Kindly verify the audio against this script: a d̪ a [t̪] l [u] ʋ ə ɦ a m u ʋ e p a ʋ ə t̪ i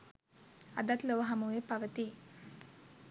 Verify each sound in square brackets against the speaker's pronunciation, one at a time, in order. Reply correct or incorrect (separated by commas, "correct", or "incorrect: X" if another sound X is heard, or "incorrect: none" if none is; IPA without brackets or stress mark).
correct, incorrect: o